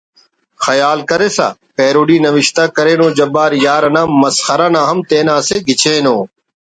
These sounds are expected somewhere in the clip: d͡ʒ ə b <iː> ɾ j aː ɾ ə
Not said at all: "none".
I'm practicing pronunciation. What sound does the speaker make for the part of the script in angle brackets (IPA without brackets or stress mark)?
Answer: aː